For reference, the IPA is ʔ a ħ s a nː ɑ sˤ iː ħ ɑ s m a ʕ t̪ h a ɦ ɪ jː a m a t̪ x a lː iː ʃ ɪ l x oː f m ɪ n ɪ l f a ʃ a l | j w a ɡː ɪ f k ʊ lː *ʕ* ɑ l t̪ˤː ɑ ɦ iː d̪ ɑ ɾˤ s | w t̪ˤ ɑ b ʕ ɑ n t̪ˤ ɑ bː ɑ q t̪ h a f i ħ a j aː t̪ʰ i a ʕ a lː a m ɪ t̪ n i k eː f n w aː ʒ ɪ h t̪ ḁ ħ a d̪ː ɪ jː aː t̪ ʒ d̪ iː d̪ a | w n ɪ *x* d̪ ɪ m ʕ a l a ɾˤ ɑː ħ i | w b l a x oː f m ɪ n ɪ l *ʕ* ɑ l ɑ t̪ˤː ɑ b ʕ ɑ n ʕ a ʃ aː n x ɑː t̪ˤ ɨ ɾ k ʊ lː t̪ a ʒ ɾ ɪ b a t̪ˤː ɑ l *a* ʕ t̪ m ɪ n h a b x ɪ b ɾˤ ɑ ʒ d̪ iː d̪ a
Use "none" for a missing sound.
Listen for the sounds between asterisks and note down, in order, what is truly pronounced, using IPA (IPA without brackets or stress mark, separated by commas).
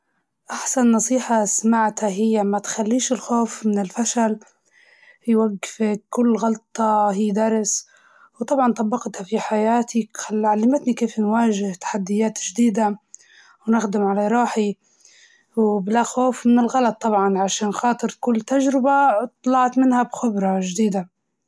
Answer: ɣ, x, ɣ, ɑ